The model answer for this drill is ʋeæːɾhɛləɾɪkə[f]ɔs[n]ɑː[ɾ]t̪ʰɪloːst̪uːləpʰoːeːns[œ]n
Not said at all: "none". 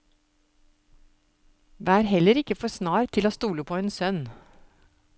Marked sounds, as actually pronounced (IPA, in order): f, n, ɾ, œ

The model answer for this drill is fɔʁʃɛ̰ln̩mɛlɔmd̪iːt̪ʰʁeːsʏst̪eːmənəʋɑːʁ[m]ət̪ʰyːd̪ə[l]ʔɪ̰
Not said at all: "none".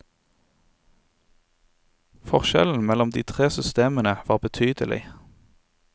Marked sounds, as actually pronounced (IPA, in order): b, l

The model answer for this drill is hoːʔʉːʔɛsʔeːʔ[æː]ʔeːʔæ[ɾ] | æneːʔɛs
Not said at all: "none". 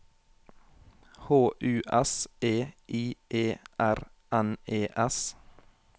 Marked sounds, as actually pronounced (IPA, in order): iː, ɾ

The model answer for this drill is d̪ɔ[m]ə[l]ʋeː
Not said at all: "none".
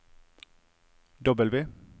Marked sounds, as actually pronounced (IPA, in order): b, l

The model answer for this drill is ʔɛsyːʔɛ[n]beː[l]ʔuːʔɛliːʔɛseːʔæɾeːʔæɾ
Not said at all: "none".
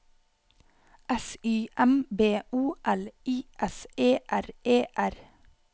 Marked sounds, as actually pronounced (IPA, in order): m, none

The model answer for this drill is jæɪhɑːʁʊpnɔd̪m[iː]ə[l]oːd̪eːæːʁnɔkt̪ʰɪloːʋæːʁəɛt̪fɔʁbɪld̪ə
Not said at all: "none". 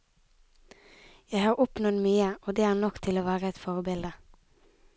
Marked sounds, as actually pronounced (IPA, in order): yː, none

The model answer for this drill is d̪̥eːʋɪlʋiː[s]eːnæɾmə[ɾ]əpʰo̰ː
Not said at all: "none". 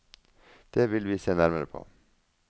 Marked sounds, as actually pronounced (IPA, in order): s, ɾ

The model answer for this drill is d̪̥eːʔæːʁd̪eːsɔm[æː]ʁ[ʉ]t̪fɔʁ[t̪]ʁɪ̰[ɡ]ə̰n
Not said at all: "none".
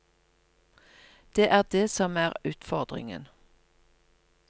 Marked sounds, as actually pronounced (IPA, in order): æː, ʉː, d̪, ŋ

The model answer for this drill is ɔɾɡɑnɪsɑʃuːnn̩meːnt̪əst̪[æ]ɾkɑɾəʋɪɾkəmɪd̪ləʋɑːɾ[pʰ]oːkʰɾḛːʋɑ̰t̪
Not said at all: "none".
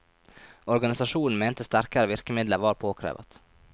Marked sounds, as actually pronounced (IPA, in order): æ, pʰ

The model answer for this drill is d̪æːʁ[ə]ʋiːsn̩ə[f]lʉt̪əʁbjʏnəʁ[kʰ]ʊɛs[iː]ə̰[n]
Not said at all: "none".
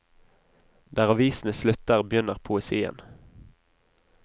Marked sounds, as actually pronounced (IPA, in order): ɑ, s, pʰ, iː, n

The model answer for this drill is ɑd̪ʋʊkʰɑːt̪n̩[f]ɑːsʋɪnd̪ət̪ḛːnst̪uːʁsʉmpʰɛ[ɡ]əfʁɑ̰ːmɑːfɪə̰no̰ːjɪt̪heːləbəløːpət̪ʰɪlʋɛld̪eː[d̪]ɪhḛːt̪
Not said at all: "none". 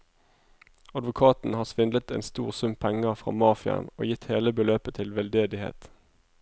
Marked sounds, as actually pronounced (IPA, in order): h, ŋ, d̪

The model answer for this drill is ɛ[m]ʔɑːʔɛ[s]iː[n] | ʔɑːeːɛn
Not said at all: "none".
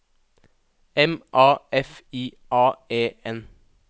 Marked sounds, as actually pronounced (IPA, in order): m, f, none

